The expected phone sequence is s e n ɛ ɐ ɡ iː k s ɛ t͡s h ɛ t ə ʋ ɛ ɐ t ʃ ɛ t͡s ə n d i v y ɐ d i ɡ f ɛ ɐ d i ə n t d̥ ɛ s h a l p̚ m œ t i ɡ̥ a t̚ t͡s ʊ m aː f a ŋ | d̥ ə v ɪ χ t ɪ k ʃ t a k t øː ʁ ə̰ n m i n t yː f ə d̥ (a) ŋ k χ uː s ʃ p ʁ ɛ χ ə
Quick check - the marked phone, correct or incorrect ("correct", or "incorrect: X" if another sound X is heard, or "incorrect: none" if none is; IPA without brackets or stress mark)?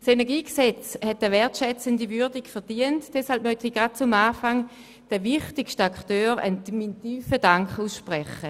correct